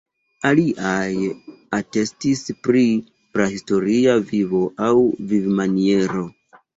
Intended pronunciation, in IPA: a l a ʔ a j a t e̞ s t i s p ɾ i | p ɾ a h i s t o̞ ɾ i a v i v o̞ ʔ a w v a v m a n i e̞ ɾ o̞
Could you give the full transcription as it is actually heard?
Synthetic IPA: a l i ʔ a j a t e̞ s t i s p ɾ i | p ɾ a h i s t o̞ ɾ i a v i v o̞ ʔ a w v i v m a n i e̞ ɾ o̞